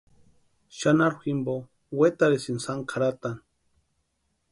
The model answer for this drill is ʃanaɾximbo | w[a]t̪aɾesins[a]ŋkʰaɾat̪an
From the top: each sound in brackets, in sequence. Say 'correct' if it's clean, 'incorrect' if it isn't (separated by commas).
incorrect, correct